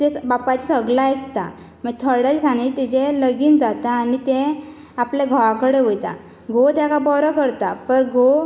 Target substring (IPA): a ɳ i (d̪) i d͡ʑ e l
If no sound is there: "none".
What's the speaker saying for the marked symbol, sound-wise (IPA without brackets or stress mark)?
t̪